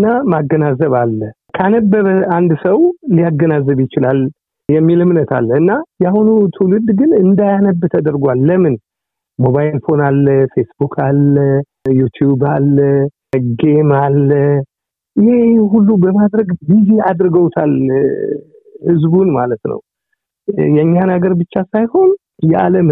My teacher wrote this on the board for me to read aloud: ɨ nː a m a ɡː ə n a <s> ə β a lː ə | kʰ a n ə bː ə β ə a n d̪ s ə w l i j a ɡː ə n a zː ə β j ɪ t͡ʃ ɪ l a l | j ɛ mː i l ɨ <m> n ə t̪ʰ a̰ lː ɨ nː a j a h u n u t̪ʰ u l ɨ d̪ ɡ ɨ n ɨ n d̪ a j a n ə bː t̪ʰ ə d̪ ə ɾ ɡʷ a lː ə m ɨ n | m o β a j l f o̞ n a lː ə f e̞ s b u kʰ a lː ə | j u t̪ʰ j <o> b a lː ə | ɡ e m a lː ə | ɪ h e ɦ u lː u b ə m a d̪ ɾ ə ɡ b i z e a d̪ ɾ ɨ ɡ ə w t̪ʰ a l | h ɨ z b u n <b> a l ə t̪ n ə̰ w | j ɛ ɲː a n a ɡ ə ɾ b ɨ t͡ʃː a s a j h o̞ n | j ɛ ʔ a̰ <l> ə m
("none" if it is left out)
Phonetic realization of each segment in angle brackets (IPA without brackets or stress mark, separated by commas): z, m, u, m, l